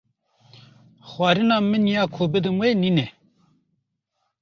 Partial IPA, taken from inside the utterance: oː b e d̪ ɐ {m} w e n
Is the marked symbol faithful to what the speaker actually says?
yes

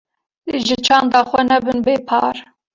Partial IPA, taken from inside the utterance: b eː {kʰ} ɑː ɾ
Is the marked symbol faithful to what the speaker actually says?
no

